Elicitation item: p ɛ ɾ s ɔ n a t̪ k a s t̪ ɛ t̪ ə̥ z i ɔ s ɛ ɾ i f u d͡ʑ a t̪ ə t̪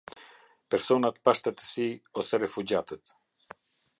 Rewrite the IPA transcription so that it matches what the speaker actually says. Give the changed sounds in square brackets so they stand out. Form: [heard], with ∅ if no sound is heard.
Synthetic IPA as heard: p ɛ ɾ s ɔ n a t̪ [p] a [ʃ] t̪ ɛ t̪ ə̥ [s] i ɔ s ɛ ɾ [ɛ] f u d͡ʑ a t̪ ə t̪